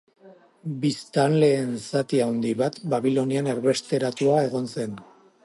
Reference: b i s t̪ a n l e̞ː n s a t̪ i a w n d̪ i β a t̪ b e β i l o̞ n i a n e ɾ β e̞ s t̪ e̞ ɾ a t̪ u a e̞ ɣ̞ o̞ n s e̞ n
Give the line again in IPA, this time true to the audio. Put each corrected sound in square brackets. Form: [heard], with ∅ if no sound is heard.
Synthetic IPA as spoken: b i s t̪ a n l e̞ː n s a t̪ i a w n d̪ i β a t̪ b [a] β i l o̞ n i a n e ɾ β e̞ s t̪ e̞ ɾ a t̪ u a e̞ ɣ̞ o̞ n s e̞ n